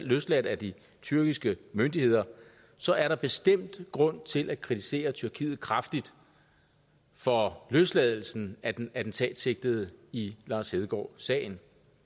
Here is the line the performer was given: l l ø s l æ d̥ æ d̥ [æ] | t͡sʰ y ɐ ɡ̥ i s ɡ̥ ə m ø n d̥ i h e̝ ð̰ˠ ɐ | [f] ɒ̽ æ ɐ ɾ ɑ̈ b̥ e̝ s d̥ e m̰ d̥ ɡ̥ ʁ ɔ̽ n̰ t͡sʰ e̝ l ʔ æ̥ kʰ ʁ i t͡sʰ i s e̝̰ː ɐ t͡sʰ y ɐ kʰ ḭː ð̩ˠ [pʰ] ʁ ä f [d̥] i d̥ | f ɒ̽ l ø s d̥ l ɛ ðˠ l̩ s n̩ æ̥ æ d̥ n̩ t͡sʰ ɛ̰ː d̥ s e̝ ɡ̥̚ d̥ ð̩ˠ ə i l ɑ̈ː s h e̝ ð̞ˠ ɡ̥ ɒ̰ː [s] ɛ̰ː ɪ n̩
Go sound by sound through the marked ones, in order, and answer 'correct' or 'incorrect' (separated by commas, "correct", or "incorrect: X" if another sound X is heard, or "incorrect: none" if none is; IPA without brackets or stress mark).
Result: incorrect: i, incorrect: s, incorrect: kʰ, correct, correct